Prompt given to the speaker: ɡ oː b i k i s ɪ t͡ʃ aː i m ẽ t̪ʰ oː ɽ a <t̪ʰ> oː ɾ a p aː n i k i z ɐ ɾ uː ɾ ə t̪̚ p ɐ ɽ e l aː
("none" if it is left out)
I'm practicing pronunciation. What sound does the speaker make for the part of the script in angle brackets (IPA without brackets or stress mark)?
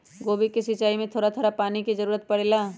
t̪ʰ